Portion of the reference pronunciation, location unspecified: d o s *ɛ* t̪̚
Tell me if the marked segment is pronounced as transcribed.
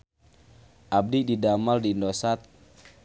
no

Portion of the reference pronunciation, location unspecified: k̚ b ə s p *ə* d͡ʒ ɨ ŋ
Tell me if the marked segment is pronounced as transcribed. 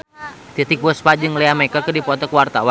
no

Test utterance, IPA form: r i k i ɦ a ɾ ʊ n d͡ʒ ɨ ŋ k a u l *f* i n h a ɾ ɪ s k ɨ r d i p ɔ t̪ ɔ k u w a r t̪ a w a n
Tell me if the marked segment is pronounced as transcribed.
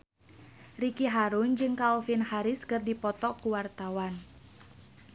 yes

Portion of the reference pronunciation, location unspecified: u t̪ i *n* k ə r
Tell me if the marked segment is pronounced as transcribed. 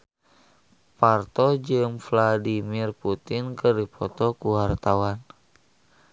yes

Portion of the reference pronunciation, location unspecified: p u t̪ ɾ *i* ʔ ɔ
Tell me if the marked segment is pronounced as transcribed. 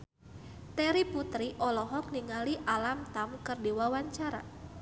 yes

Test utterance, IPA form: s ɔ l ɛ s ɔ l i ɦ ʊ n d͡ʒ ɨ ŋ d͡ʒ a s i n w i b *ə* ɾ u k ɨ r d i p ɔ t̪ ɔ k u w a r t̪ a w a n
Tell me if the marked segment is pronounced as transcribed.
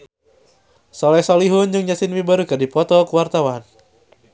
no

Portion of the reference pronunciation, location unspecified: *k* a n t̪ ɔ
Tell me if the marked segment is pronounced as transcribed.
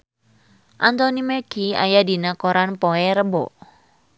no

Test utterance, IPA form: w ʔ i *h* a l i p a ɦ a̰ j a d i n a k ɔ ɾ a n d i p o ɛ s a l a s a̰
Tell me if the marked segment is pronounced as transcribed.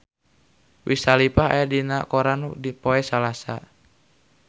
no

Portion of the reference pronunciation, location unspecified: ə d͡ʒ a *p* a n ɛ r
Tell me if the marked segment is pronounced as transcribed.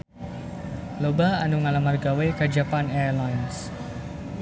yes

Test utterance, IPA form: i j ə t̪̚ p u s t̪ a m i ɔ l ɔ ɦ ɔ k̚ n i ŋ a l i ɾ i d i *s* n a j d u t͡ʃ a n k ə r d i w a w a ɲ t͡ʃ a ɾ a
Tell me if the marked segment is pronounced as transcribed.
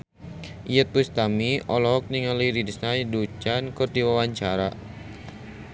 yes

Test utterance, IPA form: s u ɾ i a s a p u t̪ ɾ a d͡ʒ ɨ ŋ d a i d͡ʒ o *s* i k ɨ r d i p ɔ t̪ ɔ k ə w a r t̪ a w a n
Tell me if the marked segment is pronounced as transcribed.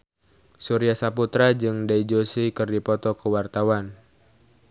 yes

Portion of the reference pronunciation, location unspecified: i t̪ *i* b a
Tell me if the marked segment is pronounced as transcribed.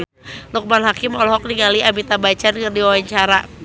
no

